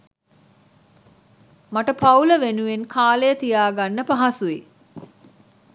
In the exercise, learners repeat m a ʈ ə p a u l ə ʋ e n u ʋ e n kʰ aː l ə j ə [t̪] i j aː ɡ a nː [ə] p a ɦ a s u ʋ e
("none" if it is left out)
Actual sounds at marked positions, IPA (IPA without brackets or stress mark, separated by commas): t̪, ə